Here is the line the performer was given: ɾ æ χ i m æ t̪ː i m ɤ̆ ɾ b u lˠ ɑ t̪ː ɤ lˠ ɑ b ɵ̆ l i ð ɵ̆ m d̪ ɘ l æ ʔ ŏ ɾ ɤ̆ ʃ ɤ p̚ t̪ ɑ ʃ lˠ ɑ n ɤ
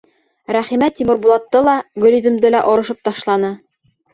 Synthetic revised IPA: ɾ æ χ i m æ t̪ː i m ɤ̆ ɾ b u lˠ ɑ t̪ː ɤ lˠ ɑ ɡ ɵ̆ l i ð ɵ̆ m d̪ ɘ l æ ʔ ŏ ɾ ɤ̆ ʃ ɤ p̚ t̪ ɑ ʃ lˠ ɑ n ɤ